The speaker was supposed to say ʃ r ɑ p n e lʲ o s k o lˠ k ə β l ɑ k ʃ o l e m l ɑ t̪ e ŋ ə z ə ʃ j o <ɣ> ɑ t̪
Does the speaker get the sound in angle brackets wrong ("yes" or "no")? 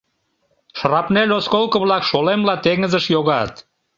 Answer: no